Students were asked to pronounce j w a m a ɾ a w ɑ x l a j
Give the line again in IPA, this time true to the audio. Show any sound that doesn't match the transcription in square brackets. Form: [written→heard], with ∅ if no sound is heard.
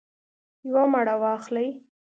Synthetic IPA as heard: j w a m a [ɾ→ɽ] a w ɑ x l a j